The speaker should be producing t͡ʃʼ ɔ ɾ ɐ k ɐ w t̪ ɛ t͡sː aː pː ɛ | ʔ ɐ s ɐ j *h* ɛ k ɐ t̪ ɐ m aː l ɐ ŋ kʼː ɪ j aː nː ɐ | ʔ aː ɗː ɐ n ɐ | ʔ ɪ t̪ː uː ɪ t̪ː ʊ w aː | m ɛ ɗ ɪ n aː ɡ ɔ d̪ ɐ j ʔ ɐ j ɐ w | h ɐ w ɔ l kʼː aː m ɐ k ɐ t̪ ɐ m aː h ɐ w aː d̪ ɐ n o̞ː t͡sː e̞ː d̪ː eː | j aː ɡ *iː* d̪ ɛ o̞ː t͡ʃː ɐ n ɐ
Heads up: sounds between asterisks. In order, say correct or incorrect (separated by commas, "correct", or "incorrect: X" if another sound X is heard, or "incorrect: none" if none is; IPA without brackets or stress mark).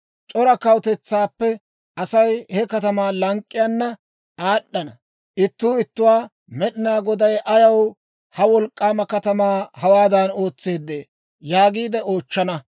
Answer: correct, correct